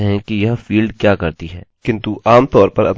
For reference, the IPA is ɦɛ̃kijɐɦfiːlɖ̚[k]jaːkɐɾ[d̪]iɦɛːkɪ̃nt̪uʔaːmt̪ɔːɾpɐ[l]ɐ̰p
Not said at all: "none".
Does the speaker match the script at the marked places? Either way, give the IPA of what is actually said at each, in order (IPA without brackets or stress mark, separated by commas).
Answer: k, t̪, ɾ